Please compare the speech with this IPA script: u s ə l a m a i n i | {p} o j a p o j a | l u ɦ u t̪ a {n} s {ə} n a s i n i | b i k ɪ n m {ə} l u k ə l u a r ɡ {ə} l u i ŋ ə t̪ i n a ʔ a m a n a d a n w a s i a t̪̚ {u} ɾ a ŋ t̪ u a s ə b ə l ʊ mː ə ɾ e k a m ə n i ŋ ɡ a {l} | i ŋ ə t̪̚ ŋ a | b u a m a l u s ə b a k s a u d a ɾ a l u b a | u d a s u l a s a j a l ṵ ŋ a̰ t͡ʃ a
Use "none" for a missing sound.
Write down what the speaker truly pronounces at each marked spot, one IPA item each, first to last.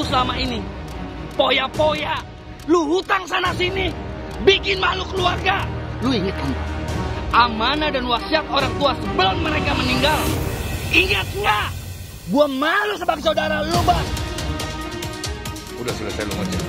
p, ŋ, a, a, a, o, l

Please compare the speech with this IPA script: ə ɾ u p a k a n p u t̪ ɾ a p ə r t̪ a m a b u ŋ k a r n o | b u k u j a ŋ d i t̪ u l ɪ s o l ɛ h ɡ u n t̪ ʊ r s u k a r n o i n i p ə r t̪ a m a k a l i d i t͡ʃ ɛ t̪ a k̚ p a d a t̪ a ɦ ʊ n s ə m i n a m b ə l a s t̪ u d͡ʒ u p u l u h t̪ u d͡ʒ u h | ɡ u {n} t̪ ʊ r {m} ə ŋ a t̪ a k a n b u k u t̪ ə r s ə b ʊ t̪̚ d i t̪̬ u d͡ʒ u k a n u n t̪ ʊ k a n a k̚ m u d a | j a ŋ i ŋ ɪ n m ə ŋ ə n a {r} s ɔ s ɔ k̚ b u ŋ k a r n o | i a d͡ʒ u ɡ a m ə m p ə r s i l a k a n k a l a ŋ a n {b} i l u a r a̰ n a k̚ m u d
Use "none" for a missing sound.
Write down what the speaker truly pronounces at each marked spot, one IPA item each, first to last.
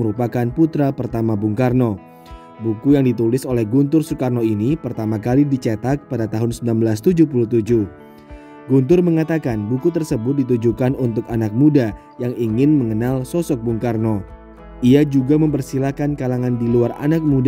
n, m, l, d

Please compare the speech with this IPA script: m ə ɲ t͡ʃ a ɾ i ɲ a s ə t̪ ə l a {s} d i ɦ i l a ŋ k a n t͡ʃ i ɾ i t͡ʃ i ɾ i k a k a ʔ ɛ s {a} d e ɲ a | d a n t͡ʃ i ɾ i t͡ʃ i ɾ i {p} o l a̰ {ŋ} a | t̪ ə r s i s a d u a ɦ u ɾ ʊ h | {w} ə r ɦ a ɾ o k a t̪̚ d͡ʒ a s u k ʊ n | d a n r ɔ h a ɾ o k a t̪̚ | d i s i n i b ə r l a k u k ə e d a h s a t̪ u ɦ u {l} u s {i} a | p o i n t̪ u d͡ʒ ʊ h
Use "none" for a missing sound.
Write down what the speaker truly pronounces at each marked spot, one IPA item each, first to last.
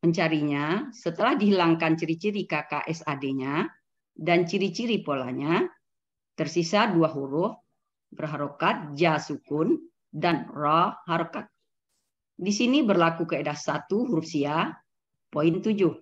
h, a, p, ɲ, b, ɾ, i

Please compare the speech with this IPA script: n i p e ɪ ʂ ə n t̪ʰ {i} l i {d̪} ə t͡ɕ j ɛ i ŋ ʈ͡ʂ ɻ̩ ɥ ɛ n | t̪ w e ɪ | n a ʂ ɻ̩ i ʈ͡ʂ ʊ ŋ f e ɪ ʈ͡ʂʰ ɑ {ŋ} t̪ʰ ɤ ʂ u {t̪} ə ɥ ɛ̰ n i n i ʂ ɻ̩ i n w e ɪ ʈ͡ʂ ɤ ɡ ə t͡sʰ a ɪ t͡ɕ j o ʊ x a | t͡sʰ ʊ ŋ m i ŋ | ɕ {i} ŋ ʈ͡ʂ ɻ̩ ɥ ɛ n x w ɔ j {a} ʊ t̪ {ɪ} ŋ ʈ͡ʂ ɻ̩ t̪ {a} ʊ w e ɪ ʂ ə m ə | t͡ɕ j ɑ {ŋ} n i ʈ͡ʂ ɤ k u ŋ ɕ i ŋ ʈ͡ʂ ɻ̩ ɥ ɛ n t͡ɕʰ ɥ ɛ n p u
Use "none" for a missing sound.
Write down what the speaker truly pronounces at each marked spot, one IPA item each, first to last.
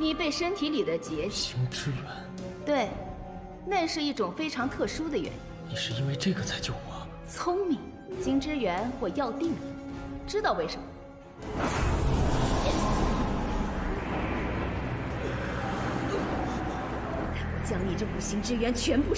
i, d̪, ŋ, d̪, i, ɑ, i, ɑ, ŋ

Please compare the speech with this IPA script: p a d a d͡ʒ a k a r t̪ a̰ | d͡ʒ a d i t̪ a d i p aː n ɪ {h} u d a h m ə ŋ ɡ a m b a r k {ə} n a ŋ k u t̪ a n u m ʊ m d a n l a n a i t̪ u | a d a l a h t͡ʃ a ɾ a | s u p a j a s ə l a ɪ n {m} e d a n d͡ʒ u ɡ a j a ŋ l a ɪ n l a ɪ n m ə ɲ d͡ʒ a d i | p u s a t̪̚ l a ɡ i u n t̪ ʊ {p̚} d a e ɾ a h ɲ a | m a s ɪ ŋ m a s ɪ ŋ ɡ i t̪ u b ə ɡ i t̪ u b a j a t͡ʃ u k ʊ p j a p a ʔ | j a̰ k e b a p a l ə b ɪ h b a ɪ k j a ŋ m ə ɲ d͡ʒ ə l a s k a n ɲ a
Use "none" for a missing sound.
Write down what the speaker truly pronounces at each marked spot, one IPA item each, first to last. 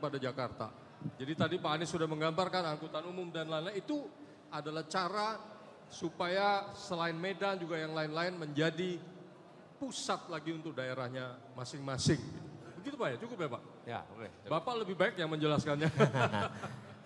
s, a, m, k̚

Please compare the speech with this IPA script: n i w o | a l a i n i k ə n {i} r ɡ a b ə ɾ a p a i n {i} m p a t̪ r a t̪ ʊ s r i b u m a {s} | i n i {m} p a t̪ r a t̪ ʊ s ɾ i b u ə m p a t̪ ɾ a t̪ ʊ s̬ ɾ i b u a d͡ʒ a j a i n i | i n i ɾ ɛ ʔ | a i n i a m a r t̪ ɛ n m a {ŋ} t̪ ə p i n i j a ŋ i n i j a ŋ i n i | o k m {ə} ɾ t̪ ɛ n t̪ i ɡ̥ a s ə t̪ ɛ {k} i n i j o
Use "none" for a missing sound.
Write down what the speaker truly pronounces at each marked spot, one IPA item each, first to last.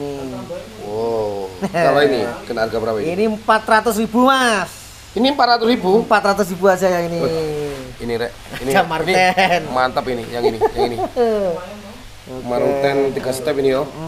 a, i, s, m, n, a, p

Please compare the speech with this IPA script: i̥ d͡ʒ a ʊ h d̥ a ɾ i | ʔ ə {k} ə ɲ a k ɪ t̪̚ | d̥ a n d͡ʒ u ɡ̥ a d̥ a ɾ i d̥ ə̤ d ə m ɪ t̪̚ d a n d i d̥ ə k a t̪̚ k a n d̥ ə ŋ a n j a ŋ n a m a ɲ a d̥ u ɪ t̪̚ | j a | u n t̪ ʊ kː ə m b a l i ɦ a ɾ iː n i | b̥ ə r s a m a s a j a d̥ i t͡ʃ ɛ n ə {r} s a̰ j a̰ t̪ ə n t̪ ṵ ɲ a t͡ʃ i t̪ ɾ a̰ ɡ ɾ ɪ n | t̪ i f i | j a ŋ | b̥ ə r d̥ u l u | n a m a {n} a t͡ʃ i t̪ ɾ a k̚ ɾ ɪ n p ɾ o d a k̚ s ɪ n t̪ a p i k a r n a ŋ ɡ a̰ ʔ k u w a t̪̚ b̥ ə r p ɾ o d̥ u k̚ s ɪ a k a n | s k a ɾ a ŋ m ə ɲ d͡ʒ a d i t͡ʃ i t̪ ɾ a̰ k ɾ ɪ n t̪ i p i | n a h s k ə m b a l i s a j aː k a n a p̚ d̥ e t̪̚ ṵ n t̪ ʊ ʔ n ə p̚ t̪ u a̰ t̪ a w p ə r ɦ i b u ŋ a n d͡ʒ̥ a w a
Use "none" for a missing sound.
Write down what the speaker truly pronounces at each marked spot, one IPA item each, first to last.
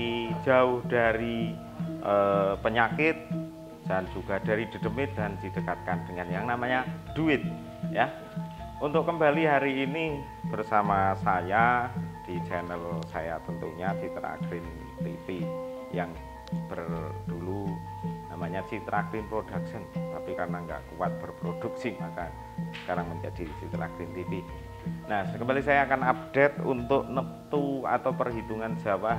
p, l, ɲ

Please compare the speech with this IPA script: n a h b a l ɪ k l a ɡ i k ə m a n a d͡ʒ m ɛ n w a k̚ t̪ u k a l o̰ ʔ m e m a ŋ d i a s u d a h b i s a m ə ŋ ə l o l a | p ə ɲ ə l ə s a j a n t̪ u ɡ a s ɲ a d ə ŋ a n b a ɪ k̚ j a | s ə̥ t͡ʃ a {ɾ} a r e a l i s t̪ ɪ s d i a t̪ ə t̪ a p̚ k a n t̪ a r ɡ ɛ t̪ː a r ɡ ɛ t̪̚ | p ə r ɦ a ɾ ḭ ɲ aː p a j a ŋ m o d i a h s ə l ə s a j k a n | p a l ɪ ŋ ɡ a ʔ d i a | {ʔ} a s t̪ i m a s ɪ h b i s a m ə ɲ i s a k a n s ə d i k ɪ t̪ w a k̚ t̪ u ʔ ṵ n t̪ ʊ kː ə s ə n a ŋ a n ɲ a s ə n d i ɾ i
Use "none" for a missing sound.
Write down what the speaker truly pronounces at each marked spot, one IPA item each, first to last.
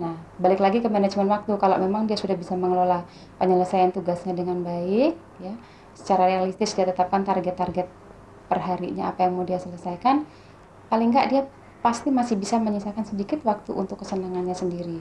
ɾ, p

